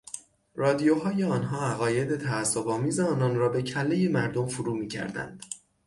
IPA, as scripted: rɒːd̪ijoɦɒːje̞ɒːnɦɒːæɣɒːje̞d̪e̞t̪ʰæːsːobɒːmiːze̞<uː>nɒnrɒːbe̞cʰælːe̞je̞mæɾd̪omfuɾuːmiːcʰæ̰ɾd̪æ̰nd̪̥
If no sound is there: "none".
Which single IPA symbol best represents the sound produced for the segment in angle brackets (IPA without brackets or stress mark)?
ɒː